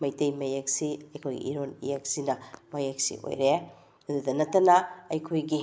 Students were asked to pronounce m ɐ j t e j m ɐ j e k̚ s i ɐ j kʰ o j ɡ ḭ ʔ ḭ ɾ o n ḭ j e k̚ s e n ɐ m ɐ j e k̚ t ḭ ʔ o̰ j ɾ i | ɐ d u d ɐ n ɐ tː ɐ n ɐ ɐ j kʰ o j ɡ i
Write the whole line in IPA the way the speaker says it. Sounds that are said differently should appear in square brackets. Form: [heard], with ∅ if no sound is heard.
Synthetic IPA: m ɐ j t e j m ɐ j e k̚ s i ɐ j kʰ o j ɡ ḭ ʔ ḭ ɾ o n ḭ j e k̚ s [i] n ɐ m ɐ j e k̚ [s] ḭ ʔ o̰ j ɾ [e] | ɐ d u d ɐ n ɐ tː ɐ n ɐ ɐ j kʰ o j ɡ i